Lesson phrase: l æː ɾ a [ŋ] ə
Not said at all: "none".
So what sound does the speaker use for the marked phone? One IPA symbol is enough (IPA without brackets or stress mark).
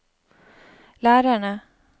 ɳ